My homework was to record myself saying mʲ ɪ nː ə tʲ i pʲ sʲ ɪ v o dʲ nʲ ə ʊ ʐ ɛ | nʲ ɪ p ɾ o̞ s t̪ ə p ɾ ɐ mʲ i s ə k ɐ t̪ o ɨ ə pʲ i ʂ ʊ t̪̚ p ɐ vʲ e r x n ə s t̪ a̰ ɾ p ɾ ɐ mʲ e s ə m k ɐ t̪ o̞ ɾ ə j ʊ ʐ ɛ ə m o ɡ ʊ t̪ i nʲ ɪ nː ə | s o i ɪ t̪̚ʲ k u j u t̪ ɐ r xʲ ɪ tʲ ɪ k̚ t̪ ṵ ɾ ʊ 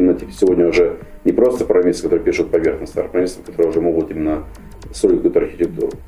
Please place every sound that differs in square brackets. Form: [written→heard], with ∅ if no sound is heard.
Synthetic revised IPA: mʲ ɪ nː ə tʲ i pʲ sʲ ɪ v o dʲ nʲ ə ʊ ʐ ɛ | nʲ ɪ p ɾ o̞ s t̪ ə p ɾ ɐ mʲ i s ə k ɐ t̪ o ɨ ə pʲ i ʂ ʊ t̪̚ p ɐ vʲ e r x n ə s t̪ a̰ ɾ p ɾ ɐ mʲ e s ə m k ɐ t̪ o̞ ɾ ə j ʊ ʐ ɛ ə m o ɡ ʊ t̪ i [nʲ→mʲ] ɪ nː ə | s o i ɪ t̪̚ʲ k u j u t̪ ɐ r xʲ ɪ tʲ ɪ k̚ t̪ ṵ ɾ ʊ